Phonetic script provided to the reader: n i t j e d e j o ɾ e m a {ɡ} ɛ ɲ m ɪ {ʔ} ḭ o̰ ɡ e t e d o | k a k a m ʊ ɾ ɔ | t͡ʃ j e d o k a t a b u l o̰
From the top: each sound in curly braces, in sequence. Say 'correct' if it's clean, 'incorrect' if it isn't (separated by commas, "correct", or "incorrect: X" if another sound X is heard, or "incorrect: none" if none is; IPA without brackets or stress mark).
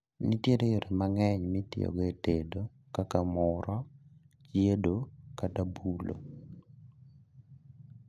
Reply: incorrect: ŋ, incorrect: t